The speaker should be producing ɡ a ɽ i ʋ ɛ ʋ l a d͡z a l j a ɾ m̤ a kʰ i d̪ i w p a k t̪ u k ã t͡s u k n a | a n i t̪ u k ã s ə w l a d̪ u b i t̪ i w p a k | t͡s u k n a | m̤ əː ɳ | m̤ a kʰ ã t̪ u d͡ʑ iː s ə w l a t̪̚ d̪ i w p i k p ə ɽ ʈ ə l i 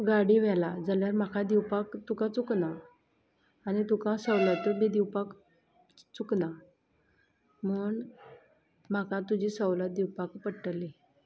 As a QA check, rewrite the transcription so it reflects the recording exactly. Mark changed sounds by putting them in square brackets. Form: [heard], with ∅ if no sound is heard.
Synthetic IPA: ɡ a ɽ i ʋ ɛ [∅] l a d͡z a l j a ɾ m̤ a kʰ [a] d̪ i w p a k t̪ u k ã t͡s u k n a | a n i t̪ u k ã s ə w l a [t̪] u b i [d̪] i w p a k | t͡s u k n a | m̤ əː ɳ | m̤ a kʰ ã t̪ u d͡ʑ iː s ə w l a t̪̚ d̪ i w p [a] k p ə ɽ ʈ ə l i